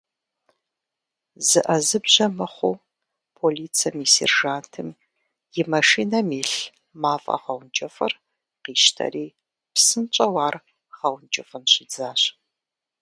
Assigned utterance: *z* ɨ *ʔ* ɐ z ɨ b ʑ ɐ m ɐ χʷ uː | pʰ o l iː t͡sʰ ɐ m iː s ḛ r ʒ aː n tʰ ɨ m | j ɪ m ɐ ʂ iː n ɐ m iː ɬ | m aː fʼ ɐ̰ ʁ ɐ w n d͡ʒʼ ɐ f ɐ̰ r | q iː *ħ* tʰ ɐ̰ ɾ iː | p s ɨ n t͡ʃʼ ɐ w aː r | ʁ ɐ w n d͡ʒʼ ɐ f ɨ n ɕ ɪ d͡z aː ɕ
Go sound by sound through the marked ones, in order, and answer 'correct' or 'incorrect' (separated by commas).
correct, correct, incorrect